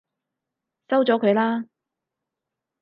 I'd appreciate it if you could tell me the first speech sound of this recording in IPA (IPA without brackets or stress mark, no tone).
s